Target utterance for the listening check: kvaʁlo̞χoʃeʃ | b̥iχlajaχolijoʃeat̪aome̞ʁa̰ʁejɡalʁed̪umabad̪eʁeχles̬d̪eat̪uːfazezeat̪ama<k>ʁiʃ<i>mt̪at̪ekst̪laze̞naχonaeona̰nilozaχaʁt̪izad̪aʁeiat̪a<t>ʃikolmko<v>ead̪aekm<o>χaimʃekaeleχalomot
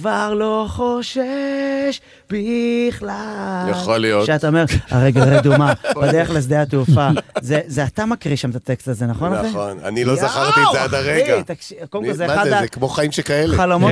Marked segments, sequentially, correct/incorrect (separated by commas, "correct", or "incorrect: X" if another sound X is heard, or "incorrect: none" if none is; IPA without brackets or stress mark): correct, incorrect: a, incorrect: k, incorrect: z, correct